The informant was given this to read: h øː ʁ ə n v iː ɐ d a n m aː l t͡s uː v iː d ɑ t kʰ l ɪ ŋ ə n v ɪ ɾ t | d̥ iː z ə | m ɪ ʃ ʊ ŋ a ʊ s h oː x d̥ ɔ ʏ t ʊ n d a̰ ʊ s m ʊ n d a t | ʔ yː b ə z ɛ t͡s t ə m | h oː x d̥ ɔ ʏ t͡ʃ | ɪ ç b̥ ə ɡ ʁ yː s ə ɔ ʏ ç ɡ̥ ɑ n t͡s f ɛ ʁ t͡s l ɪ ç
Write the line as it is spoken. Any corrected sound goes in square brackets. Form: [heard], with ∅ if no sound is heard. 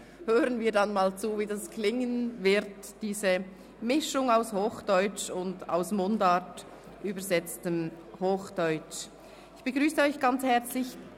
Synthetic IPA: h øː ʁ ə n v iː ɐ d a n m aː l t͡s uː v iː d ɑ [s] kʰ l ɪ ŋ ə n v ɪ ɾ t | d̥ iː z ə | m ɪ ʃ ʊ ŋ a ʊ s h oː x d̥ ɔ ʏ [t͡ʃ] ʊ n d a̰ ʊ s m ʊ n d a t | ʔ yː b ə z ɛ t͡s t ə m | h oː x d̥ ɔ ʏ t͡ʃ | ɪ ç b̥ ə ɡ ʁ yː s ə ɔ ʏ ç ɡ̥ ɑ n t͡s [h] ɛ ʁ t͡s l ɪ ç